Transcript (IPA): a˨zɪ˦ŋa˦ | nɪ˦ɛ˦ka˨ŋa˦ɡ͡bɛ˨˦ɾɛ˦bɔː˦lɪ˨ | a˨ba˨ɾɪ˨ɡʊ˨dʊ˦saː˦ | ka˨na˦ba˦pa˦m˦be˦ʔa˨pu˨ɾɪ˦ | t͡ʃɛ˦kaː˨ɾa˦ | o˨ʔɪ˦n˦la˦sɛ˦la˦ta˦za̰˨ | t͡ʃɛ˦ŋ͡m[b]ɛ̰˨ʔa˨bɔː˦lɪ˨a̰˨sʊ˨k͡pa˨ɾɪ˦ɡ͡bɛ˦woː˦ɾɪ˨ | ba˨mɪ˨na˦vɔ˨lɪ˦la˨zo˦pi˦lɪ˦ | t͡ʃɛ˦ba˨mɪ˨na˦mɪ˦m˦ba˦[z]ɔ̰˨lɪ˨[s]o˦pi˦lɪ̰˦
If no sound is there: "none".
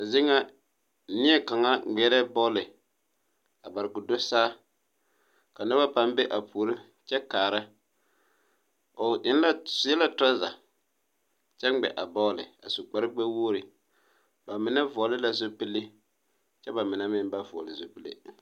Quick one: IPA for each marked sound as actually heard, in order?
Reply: ɡ͡b, v, z

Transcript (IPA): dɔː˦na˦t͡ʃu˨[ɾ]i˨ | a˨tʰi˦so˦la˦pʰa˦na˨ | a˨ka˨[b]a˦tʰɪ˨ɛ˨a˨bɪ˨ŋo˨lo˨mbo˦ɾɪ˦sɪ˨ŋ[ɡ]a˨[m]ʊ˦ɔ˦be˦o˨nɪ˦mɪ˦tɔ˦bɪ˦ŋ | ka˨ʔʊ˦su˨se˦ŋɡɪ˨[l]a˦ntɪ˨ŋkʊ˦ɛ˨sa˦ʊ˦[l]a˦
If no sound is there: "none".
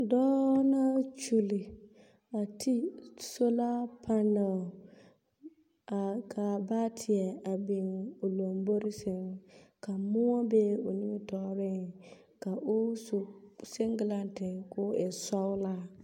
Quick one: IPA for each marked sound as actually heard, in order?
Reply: l, b, k, m, l, l

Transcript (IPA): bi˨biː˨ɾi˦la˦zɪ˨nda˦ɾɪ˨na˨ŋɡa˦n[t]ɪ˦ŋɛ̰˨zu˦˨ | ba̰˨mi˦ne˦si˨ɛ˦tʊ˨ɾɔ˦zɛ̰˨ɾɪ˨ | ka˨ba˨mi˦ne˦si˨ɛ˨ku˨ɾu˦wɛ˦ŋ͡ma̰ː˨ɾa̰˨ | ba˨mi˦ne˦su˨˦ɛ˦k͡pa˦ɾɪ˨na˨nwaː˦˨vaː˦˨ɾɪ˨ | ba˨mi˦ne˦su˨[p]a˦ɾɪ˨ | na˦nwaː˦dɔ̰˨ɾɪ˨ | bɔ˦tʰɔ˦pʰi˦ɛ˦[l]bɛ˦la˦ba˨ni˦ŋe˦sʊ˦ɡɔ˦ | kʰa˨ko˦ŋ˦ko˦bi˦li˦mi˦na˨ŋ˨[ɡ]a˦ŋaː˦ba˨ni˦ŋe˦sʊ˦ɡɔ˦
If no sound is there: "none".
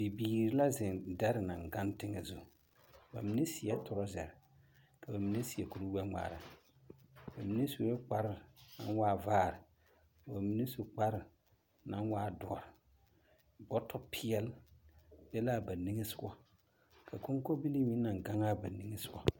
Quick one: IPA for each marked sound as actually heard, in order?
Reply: t, k͡p, l, ɡ

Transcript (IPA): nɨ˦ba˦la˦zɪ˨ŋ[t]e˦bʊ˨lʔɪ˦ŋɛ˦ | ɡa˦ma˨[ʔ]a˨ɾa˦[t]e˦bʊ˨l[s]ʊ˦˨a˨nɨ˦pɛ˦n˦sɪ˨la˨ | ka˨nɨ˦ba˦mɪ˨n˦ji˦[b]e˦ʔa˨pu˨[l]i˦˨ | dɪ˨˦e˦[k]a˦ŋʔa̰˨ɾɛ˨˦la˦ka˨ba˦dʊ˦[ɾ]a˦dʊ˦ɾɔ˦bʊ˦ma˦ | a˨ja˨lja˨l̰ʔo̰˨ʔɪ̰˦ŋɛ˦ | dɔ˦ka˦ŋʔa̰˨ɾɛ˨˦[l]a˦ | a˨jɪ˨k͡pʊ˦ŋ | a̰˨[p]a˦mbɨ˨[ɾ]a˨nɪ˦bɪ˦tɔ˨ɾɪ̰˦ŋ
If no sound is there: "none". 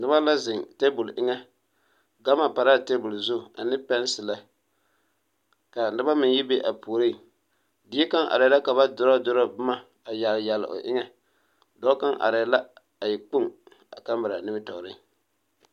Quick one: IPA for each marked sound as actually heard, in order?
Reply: t, p, t, z, b, ɾ, k, ɾ, l, k, ɾ

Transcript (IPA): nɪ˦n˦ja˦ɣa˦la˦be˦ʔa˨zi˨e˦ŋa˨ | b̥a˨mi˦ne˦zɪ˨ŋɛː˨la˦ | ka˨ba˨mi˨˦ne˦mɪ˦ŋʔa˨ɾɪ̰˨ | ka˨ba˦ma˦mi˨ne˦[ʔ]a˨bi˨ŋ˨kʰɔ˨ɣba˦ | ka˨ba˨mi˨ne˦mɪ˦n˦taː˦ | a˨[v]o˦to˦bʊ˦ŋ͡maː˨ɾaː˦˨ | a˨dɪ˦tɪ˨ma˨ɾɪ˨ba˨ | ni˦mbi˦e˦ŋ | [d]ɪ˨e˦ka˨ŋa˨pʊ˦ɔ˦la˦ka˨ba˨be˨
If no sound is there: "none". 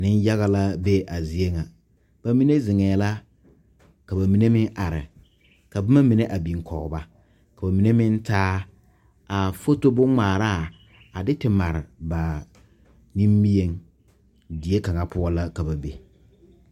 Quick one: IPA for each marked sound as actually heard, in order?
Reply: ʔ, f, d

